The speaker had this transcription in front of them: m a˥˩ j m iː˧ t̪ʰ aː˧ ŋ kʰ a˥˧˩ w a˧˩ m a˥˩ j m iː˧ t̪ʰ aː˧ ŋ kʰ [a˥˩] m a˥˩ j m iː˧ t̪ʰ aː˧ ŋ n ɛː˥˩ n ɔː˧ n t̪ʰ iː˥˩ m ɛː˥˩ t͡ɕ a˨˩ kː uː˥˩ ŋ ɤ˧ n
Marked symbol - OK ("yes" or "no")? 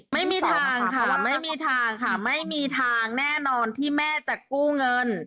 yes